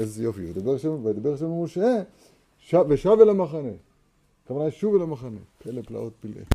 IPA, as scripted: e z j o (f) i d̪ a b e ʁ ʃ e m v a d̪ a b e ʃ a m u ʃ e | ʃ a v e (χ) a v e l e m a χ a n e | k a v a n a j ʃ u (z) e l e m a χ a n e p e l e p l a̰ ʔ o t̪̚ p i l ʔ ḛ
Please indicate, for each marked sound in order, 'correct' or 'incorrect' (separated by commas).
correct, incorrect, incorrect